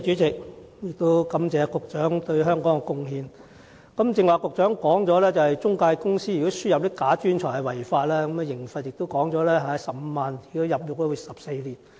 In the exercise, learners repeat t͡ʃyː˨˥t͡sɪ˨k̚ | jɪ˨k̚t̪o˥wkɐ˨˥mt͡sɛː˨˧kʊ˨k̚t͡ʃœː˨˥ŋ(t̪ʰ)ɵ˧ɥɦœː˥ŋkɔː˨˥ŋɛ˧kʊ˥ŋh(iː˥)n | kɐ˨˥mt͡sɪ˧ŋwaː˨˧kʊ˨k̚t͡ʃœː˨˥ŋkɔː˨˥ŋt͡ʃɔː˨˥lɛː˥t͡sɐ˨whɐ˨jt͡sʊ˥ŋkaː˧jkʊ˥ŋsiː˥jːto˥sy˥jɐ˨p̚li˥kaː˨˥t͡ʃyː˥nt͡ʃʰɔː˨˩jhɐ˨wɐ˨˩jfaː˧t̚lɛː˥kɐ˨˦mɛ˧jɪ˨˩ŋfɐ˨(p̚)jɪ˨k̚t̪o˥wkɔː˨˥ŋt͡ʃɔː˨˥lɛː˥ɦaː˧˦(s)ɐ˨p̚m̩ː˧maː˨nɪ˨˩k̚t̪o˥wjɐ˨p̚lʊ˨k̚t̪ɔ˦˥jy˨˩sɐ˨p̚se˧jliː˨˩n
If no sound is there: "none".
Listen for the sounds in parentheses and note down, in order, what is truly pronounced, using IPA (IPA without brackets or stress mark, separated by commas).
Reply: t̪, iː˧, t̚, s